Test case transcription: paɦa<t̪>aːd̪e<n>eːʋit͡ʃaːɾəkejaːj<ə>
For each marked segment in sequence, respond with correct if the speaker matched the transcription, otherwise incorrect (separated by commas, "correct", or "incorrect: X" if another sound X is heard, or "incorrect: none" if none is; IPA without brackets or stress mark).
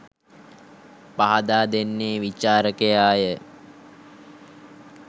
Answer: incorrect: d̪, incorrect: nː, correct